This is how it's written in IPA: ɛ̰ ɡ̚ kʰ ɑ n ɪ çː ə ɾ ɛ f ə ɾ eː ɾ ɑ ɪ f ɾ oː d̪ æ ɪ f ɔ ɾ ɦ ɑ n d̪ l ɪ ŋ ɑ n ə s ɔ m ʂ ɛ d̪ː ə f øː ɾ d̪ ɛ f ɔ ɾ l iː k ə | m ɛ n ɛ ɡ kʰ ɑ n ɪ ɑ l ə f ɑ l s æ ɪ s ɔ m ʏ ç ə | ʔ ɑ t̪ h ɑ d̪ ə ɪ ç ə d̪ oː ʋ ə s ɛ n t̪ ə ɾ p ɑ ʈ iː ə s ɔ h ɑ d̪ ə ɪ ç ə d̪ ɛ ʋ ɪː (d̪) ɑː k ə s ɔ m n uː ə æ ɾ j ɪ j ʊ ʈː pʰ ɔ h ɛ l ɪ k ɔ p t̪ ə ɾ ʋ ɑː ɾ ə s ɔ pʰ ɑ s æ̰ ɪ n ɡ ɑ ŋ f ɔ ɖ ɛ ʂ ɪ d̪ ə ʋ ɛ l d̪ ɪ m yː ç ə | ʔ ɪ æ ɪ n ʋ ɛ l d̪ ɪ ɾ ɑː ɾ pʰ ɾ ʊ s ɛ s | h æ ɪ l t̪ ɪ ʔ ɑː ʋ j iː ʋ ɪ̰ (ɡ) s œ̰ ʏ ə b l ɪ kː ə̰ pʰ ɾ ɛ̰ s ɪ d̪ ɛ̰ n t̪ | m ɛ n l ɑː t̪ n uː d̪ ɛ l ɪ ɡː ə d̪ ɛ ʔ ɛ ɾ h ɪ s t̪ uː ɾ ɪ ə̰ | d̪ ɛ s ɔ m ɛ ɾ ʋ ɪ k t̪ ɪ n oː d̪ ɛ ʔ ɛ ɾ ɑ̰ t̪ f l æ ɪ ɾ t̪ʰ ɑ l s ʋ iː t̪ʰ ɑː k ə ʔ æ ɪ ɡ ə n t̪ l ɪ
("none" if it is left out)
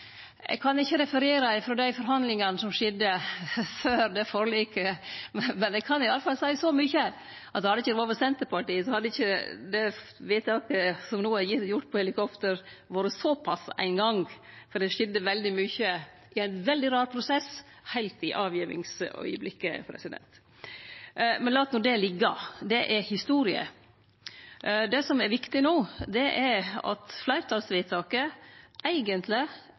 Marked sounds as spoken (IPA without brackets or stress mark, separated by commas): t̪, ŋ